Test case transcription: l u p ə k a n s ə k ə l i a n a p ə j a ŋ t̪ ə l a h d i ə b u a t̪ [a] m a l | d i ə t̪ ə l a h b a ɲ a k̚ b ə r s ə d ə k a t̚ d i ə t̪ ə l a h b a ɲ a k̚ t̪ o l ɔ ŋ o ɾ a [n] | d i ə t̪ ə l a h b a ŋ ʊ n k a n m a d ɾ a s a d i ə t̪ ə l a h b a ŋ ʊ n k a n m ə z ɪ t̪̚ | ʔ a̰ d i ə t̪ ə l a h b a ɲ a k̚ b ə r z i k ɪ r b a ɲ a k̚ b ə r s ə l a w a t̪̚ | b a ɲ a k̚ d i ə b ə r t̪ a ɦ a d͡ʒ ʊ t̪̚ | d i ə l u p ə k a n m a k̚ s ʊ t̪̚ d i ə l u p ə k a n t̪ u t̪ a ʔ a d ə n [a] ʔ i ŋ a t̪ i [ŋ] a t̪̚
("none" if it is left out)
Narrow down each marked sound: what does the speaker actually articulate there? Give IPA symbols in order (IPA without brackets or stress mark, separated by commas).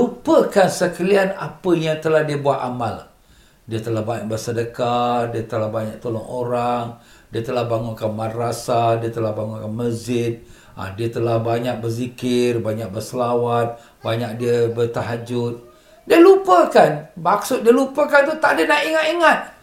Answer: a, ŋ, a, ŋ